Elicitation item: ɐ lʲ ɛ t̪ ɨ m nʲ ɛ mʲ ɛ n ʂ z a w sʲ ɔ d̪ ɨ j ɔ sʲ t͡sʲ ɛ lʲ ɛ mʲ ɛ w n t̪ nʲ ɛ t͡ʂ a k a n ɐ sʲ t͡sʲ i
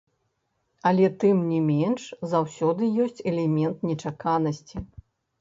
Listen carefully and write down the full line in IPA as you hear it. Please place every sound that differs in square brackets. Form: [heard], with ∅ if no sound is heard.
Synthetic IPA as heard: ɐ lʲ ɛ t̪ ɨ m nʲ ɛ mʲ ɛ n ʂ z a w sʲ ɔ d̪ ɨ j ɔ sʲ t͡sʲ ɛ lʲ ɛ mʲ ɛ [∅] n t̪ nʲ ɛ t͡ʂ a k a n ɐ sʲ t͡sʲ i